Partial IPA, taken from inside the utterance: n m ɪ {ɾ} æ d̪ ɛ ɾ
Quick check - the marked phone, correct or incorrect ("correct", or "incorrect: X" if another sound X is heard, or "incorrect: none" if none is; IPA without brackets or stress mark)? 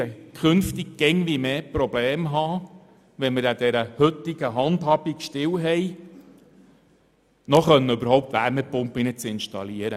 correct